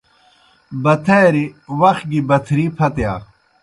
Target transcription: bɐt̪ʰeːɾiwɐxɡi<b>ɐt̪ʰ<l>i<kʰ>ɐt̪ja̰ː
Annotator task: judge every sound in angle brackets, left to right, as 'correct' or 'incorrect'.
correct, incorrect: ɾ, incorrect: pʰ

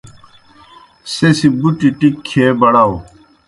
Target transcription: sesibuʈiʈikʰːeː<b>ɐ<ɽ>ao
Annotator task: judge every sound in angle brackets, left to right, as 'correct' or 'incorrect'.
correct, correct

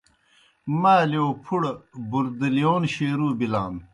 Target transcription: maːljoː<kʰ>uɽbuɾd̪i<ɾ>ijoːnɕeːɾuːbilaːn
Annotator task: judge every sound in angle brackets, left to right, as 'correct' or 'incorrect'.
incorrect: pʰ, incorrect: l

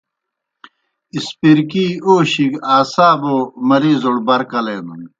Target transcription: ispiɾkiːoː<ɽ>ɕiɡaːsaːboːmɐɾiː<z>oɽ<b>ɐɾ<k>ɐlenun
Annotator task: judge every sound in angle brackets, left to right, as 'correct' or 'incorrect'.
incorrect: none, correct, correct, correct

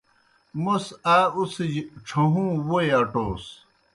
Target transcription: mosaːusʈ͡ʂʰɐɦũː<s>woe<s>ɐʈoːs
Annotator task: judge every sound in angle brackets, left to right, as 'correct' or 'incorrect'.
incorrect: none, incorrect: none

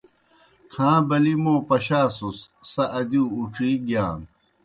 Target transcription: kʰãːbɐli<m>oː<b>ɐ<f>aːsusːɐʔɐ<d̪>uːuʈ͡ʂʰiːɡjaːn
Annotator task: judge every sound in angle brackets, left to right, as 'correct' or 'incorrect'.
correct, incorrect: p, incorrect: ɕ, correct

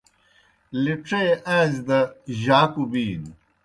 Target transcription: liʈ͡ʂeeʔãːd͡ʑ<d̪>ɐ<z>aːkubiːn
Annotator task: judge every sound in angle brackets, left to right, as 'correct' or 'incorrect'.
correct, incorrect: ʑ

